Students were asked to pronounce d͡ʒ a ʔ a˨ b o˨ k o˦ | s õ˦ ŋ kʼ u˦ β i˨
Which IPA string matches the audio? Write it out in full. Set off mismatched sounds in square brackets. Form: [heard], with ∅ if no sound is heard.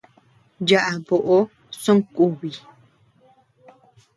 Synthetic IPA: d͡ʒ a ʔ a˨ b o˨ [ʔ] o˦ | s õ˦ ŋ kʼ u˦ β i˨